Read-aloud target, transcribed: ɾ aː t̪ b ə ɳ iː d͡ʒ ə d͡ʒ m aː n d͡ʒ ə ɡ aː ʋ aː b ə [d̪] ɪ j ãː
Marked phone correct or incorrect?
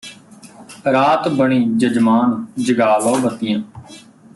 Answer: incorrect